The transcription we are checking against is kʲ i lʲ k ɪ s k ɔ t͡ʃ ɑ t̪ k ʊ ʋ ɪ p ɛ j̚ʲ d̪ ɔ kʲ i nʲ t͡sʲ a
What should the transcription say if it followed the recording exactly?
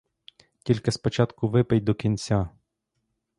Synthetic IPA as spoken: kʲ i lʲ k ɪ s p ɔ t͡ʃ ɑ t̪ k ʊ ʋ ɪ p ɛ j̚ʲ d̪ ɔ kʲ i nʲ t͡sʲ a